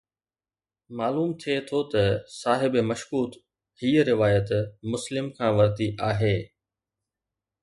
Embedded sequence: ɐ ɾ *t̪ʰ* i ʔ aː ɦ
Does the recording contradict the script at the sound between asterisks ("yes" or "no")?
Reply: yes